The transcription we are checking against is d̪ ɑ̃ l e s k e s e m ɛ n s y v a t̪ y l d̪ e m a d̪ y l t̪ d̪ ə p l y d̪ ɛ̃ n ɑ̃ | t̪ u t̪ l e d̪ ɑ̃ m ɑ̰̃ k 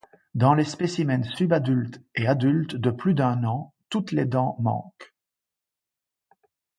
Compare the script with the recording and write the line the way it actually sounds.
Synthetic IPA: d̪ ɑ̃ l e s p e s i m ɛ n s y b a d̪ y l t̪ e a d̪ y l t̪ d̪ ə p l y d̪ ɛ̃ n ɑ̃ | t̪ u t̪ l e d̪ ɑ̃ m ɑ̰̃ k